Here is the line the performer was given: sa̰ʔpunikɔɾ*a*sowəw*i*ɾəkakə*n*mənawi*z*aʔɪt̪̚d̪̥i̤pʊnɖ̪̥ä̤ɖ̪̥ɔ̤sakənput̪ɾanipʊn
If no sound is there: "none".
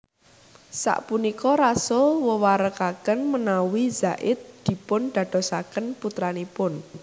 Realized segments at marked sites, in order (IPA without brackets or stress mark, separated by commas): a, a, n, z